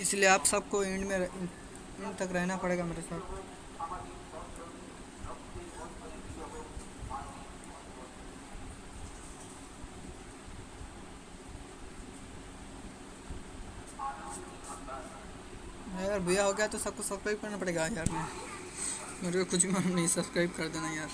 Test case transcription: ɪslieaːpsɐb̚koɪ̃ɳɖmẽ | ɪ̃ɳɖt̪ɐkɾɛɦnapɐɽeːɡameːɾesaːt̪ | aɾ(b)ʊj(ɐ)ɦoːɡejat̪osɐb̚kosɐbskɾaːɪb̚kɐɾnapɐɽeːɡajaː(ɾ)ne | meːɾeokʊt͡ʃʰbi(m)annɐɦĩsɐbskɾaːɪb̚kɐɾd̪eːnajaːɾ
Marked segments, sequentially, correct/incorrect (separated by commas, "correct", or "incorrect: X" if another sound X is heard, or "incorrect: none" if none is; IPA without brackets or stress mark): correct, incorrect: a, correct, correct